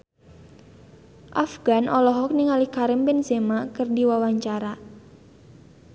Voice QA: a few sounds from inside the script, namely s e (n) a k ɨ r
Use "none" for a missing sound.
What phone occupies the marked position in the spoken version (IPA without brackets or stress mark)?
m